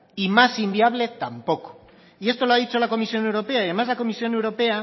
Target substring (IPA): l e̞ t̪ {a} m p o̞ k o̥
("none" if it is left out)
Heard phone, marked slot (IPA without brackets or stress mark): a